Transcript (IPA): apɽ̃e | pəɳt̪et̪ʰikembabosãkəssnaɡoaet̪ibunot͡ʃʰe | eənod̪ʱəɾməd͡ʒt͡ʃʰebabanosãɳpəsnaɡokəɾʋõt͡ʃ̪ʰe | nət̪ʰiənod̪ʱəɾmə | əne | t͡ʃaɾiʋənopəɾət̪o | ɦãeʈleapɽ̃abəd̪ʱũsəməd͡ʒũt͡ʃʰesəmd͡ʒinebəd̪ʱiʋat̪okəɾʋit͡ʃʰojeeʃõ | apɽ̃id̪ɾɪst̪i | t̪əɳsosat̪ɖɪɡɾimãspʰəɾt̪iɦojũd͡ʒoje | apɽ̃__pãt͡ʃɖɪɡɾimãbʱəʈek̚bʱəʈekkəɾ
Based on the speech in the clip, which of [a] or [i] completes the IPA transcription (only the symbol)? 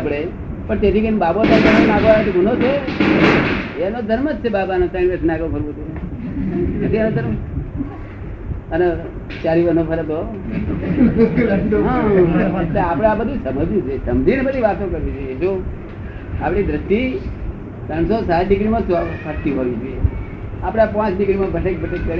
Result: a